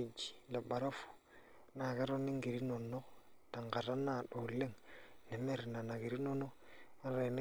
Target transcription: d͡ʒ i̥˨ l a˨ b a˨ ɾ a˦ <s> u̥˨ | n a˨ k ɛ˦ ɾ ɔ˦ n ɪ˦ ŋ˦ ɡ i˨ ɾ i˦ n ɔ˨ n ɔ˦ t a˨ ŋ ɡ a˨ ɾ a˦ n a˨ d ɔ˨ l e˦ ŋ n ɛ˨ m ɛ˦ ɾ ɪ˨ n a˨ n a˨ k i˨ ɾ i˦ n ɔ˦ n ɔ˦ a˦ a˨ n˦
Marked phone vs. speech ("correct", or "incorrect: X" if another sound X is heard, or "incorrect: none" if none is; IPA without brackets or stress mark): incorrect: f